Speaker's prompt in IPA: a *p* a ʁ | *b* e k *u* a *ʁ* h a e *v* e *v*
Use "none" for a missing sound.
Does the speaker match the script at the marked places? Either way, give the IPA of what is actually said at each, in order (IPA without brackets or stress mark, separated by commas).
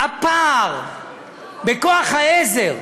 p, b, o, χ, z, ʁ